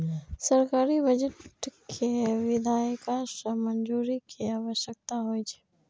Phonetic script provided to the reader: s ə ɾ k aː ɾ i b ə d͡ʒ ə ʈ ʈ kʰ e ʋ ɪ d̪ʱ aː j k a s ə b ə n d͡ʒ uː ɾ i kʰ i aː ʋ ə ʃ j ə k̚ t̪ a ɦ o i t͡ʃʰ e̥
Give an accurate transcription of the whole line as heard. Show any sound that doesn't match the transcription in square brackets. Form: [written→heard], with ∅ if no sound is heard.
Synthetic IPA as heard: s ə ɾ k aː ɾ i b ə d͡ʒ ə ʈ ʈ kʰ e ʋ ɪ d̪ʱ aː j k a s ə [b→m] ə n d͡ʒ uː ɾ i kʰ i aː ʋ ə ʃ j ə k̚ t̪ a ɦ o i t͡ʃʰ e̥